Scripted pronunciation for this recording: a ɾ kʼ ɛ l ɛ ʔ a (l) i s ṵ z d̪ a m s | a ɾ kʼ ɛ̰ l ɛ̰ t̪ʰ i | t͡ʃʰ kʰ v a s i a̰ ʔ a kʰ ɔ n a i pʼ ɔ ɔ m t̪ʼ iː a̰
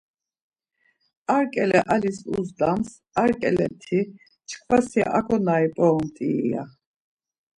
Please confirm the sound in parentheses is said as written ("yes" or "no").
yes